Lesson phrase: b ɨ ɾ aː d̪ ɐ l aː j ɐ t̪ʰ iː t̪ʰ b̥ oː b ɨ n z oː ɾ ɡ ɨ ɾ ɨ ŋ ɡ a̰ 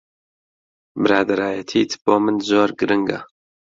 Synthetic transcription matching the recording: b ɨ ɾ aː d̪ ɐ ɾ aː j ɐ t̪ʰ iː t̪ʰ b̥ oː m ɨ n z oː ɾ ɡ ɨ ɾ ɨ ŋ ɡ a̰

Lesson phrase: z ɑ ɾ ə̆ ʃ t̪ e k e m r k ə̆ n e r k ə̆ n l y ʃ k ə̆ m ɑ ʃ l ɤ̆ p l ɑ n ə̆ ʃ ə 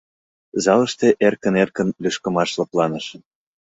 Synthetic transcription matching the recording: z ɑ l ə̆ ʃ t̪ e ʔ e r k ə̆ n e r k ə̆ n l y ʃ k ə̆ m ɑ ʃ l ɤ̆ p l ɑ n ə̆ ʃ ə

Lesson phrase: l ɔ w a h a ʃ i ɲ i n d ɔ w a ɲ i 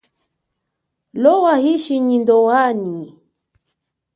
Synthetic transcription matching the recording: l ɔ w a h i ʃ i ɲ i n d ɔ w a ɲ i

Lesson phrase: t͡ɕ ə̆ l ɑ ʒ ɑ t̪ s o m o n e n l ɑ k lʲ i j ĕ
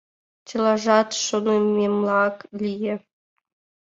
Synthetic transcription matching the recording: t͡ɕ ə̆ l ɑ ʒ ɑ t̪ ʃ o n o m e m l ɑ k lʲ i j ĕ

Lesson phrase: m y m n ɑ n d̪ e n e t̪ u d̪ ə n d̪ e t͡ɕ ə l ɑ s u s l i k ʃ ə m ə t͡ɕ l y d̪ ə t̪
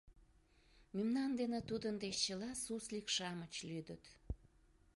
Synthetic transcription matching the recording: m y m n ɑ n d̪ e n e t̪ u d̪ ə n d̪ e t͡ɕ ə l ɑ s u s l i k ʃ ɑ m ə t͡ɕ l y d̪ ə t̪

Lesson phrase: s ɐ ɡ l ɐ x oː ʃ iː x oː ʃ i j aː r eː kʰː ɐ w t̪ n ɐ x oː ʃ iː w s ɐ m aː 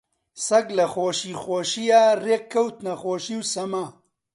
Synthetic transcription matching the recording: s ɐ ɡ l ɐ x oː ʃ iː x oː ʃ i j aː r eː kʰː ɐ w t̪ n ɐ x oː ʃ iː w s ɐ m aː

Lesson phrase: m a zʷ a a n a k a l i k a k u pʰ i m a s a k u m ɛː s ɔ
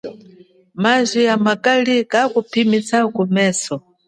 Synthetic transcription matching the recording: m a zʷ i a m a k a l i k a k u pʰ i m i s a k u m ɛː s ɔ

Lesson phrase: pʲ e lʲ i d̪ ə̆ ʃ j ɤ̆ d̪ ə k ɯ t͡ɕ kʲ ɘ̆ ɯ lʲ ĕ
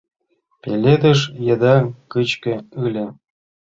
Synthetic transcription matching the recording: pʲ e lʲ e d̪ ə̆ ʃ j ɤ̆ d̪ ɑ k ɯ t͡ɕ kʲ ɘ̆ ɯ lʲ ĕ

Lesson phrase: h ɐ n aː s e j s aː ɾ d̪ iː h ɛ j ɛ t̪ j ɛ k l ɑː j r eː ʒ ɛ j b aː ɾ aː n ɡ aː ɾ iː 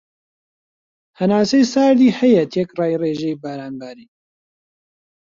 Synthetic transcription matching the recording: h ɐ n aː s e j s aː ɾ d̪ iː h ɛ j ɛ t̪ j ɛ k r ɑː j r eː ʒ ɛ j b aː ɾ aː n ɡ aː ɾ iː

